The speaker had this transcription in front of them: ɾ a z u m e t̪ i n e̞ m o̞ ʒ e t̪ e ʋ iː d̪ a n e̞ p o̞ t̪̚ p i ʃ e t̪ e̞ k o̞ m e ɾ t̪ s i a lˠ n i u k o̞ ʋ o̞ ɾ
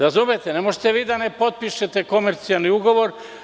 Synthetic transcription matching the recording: ɾ a z u m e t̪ e n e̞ m o̞ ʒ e t̪ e ʋ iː d̪ a n e̞ p o̞ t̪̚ p i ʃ e t̪ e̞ k o̞ m e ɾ t̪ s i a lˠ n i u ɡ o̞ ʋ o̞ ɾ